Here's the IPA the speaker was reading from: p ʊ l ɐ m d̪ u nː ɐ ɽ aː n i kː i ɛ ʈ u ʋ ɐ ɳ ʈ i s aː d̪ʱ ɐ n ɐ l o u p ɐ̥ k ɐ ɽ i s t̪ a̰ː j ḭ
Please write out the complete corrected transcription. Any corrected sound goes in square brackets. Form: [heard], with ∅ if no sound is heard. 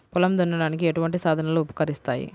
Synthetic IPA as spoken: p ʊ l ɐ m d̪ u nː ɐ ɽ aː n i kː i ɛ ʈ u ʋ ɐ ɳ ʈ i s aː d̪ʱ ɐ n ɐ l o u p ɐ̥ k ɐ [ɾ] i s t̪ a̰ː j ḭ